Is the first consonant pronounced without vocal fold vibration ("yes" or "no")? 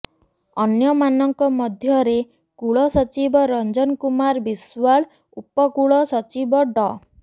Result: no